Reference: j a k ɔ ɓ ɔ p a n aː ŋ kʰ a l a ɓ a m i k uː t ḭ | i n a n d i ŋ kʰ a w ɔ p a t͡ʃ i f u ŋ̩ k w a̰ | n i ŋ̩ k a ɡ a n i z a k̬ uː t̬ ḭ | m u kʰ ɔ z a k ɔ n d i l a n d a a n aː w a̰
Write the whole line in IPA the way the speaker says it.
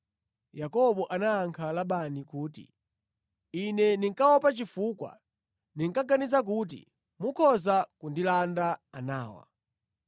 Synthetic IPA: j a k ɔ ɓ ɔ ʔ a n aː ŋ kʰ a l a ɓ a n i k uː t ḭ | i n ɛ n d i ŋ k a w ɔ p a t͡ʃ i f u k w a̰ | n i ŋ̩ k a ɡ a n i z a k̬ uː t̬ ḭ | m u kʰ ɔ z a k u n d i l a n d a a n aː w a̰